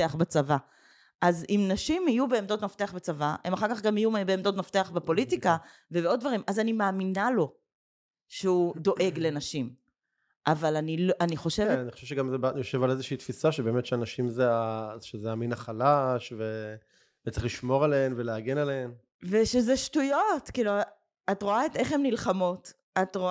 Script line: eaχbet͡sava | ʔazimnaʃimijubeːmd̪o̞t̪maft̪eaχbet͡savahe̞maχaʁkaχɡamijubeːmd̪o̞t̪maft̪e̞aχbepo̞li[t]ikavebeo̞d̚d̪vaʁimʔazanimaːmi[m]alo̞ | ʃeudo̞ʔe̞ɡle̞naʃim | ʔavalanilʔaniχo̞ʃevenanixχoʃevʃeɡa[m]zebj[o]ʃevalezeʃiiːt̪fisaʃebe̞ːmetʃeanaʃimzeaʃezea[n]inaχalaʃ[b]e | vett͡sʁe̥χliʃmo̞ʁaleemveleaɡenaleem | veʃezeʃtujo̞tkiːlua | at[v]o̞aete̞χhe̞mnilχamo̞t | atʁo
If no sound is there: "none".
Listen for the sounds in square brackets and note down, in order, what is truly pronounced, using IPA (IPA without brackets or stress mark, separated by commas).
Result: t, n, m, o, m, v, ʁ